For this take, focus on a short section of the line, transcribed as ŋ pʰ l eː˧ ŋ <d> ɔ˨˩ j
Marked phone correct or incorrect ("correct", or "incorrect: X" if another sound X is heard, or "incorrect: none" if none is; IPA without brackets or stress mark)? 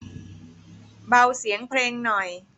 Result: incorrect: n